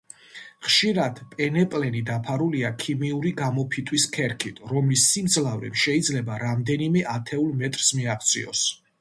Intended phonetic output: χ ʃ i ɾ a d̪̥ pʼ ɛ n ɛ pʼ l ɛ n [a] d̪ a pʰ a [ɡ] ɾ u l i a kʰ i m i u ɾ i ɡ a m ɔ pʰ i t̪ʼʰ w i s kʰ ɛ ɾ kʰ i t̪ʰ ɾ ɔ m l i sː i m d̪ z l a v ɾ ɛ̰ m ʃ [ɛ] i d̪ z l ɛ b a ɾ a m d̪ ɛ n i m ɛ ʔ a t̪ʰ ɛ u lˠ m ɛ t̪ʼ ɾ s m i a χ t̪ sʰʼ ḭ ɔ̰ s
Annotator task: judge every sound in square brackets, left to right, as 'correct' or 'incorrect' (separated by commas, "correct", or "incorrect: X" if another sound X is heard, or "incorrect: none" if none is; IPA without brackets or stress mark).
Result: incorrect: i, incorrect: none, correct